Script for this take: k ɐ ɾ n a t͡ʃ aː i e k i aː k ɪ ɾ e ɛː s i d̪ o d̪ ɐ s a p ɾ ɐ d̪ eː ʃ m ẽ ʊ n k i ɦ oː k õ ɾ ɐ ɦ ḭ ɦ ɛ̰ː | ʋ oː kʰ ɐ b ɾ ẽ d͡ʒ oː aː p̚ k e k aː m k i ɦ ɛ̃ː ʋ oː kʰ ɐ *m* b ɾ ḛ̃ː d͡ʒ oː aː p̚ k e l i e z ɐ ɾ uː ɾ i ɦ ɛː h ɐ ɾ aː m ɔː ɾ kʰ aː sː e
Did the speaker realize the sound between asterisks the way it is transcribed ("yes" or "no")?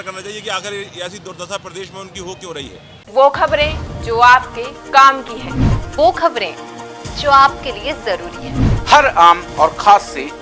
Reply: no